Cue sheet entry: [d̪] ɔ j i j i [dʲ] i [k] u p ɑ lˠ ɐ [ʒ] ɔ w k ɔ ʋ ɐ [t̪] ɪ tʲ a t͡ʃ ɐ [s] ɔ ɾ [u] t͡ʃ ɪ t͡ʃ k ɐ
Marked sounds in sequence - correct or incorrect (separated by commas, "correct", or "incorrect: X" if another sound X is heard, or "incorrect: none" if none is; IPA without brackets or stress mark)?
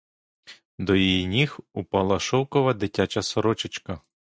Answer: correct, incorrect: nʲ, incorrect: x, incorrect: ʃ, incorrect: d̪, correct, incorrect: ɔ